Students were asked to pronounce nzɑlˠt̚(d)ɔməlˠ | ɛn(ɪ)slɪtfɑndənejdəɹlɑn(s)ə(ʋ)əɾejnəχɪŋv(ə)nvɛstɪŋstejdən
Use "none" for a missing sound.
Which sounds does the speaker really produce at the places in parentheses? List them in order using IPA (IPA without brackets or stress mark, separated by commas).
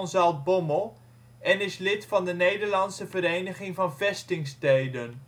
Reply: b, ɪ, s, v, ɑ